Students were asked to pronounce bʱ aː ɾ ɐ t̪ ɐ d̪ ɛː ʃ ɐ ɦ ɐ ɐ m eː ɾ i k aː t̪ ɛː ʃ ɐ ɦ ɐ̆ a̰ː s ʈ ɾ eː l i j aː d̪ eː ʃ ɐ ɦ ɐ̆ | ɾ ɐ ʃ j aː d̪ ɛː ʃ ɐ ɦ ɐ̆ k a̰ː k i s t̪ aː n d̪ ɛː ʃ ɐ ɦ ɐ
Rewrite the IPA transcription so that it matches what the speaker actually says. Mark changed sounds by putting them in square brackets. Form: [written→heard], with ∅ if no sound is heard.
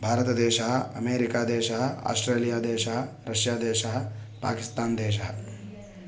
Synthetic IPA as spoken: bʱ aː ɾ ɐ t̪ ɐ d̪ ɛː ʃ ɐ ɦ ɐ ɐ m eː ɾ i k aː [t̪→d̪] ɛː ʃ ɐ ɦ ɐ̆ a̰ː s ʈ ɾ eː l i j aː d̪ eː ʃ ɐ ɦ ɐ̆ | ɾ ɐ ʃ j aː d̪ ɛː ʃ ɐ ɦ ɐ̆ [k→p] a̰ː k i s t̪ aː n d̪ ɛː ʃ ɐ ɦ ɐ